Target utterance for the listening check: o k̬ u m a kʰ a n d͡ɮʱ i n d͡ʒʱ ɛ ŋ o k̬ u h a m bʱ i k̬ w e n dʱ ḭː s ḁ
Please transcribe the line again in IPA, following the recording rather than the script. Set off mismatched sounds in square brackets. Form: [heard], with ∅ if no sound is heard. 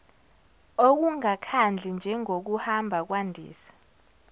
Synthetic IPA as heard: o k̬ u [ŋ] a kʰ a n d͡ɮʱ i n d͡ʒʱ ɛ ŋ o k̬ u h a m bʱ [a] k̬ w [a] n dʱ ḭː s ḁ